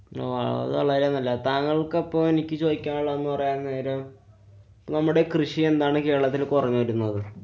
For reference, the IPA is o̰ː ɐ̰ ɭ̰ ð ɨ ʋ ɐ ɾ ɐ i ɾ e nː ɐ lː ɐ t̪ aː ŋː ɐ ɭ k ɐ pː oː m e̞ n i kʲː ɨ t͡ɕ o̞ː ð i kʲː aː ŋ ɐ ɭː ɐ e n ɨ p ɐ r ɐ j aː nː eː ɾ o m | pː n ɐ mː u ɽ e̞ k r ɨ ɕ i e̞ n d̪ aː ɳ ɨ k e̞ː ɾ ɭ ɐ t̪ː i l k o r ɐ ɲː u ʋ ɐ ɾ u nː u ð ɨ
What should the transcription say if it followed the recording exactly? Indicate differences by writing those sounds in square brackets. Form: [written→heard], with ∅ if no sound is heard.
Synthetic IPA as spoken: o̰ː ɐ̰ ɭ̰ ð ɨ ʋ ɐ [ɾ→ɭ] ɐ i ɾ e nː ɐ lː ɐ t̪ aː ŋː ɐ ɭ k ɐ pː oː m e̞ n i kʲː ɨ t͡ɕ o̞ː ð i kʲː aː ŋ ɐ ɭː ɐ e [n→nː] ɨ p ɐ r ɐ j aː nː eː ɾ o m | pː n ɐ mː u ɽ e̞ k r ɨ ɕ i e̞ n d̪ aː ɳ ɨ k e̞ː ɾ ɭ ɐ t̪ː i l k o r ɐ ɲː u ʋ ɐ ɾ u nː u ð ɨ